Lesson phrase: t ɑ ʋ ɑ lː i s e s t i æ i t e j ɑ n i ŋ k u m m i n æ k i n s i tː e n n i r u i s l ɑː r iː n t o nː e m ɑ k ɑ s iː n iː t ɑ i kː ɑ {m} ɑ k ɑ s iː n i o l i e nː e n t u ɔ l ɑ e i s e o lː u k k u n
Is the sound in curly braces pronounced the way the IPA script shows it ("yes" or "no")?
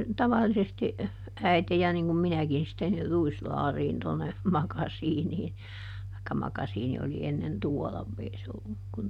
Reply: yes